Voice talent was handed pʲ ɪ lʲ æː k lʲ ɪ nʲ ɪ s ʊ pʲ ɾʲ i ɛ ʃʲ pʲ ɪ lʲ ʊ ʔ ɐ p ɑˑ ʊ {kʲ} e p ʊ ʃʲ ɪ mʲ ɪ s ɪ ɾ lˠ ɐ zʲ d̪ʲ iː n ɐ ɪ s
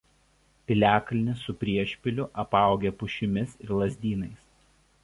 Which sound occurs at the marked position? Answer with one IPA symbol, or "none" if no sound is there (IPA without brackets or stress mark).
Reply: ɡʲ